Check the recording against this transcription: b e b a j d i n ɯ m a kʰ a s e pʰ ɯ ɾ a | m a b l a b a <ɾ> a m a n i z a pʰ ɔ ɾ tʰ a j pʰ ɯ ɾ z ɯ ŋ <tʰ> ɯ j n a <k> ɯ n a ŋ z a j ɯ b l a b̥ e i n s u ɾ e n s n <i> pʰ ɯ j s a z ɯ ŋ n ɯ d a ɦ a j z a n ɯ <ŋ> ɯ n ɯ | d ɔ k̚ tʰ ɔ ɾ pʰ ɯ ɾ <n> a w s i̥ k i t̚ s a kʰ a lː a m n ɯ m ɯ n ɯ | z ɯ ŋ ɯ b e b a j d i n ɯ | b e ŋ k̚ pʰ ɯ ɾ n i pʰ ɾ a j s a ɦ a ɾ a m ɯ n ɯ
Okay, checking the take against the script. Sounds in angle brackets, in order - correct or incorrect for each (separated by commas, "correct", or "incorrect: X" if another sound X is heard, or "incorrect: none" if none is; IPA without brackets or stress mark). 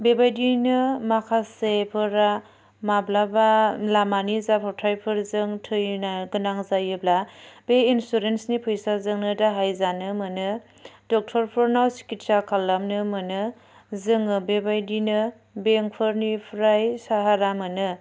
incorrect: l, correct, incorrect: ɡ, correct, incorrect: m, correct